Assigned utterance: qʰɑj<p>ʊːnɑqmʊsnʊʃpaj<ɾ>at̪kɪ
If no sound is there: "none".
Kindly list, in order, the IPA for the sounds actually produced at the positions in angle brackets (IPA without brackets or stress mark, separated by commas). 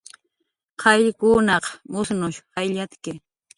k, ʎ